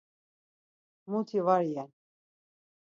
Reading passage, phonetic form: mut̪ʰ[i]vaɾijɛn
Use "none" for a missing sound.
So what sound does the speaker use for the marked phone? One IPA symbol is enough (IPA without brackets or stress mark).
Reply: i